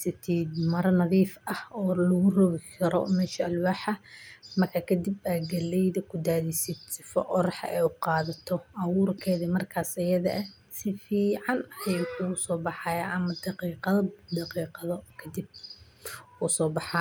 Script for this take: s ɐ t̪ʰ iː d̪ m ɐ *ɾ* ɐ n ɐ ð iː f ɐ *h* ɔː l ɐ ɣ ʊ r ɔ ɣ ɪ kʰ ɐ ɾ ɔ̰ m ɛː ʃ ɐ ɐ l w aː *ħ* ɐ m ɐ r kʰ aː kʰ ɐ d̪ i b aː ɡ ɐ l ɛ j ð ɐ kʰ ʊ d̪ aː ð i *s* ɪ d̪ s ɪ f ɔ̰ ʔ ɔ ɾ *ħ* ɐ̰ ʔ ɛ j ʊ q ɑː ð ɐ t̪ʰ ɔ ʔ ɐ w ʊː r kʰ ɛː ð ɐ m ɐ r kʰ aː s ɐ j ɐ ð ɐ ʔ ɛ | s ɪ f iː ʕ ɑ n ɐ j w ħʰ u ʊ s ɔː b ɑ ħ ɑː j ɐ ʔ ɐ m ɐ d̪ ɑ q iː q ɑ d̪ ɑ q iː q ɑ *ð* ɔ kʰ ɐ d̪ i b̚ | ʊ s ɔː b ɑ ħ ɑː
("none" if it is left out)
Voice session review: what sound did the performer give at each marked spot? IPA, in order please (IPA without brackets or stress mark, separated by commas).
ɾ, h, ħ, s, ħ, ð